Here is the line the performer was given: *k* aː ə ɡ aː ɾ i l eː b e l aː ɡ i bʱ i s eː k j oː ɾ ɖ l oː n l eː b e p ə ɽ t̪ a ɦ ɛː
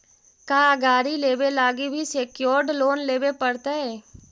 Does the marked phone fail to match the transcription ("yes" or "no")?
no